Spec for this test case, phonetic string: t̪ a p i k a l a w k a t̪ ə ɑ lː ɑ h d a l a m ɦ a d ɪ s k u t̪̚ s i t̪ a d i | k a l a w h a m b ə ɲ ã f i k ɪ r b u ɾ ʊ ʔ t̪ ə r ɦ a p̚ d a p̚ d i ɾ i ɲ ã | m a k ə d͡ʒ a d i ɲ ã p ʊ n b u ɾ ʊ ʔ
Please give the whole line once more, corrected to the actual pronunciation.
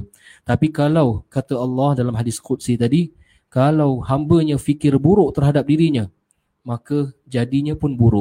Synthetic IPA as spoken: t̪ a p i k a l a w k a t̪ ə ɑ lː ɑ h d a l a m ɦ a d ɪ s k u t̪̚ s i t̪ a d i | k a l a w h a m b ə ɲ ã f i k ɪ r b u ɾ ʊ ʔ t̪ ə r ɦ a d a p̚ d i ɾ i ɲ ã | m a k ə d͡ʒ a d i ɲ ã p ʊ n b u ɾ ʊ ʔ